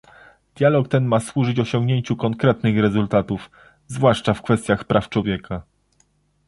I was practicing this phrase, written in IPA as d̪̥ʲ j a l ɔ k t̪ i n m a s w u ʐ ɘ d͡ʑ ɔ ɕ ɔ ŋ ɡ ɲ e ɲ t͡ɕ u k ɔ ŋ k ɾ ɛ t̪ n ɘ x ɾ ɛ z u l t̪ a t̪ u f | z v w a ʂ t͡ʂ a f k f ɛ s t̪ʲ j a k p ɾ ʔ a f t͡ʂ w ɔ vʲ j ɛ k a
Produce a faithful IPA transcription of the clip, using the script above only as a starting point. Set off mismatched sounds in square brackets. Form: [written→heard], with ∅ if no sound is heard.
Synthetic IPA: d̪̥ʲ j a l ɔ k t̪ [i→ɛ] n m a s w u ʐ ɘ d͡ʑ ɔ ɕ ɔ ŋ ɡ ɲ e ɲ t͡ɕ u k ɔ ŋ k ɾ ɛ t̪ n ɘ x ɾ ɛ z u l t̪ a t̪ u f | z v w a ʂ t͡ʂ a f k f ɛ s t̪ʲ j a [k→x] p ɾ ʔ a f t͡ʂ w ɔ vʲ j ɛ k a